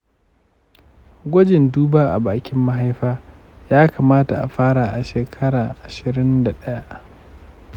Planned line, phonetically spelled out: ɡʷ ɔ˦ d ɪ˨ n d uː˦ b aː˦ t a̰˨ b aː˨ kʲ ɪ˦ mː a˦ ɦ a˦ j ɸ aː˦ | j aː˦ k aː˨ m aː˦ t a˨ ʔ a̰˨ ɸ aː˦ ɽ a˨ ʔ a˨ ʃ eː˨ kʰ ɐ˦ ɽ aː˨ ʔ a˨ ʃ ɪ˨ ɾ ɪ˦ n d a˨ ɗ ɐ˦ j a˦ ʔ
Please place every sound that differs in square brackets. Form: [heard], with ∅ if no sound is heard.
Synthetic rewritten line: ɡʷ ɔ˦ [d͡ʒ] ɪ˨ n d uː˦ b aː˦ [ʔ] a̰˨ b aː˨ kʲ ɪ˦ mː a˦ ɦ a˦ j ɸ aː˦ | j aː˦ k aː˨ m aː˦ t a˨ ʔ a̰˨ ɸ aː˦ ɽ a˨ ʔ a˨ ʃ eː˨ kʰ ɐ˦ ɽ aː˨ ʔ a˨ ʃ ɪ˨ ɾ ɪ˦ n d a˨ ɗ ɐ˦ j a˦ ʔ